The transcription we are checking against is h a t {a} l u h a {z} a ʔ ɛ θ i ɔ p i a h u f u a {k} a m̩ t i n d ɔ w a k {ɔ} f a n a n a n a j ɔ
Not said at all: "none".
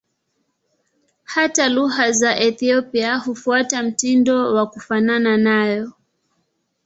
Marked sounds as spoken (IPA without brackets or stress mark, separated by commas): a, z, t, u